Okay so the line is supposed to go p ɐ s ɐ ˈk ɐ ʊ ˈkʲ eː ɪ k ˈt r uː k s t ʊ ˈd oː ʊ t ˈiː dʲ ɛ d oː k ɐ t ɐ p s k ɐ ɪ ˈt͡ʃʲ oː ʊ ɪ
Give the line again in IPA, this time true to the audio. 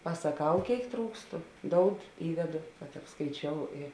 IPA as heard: p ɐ s ɐ ˈk ɐ ʊ ˈkʲ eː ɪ k ˈt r uː k s t ʊ ˈd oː ʊ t ˈiː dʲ ɛ d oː k ɐ t ɐ p s k ɐ ɪ ˈt͡ʃʲ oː ʊ ɪ